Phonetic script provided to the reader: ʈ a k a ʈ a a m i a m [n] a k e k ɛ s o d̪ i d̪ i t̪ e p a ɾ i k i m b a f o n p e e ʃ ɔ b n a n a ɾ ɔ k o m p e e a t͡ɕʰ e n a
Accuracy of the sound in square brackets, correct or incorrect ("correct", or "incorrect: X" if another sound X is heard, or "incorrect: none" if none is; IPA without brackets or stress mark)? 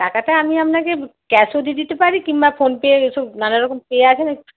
correct